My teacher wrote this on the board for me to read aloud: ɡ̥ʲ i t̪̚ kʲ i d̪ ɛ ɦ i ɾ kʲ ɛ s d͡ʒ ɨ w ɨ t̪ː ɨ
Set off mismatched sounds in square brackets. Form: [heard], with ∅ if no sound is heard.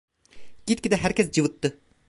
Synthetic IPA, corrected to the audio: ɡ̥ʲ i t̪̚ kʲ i d̪ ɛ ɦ [æ] ɾ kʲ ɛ s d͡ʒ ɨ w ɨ t̪ː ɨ